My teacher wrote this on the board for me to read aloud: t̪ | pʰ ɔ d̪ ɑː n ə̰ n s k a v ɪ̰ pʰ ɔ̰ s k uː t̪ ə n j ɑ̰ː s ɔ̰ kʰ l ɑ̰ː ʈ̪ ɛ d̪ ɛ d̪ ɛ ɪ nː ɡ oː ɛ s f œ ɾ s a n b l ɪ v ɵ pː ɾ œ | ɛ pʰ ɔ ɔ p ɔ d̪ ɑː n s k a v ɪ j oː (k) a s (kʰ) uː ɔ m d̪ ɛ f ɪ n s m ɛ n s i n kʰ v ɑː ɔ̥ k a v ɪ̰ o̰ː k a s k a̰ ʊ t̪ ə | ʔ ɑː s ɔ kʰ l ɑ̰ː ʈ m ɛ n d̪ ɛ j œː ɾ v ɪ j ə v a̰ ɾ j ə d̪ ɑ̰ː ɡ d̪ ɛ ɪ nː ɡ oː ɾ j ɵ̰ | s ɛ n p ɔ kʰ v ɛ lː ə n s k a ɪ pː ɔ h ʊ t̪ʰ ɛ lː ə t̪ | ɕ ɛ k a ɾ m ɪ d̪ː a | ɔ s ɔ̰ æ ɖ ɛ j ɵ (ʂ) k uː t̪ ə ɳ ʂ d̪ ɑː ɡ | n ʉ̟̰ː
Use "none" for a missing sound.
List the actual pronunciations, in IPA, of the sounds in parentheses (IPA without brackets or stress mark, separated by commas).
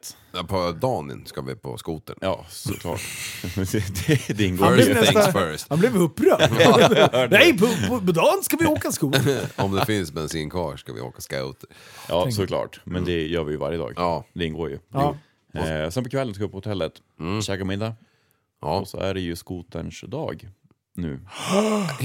k, k, s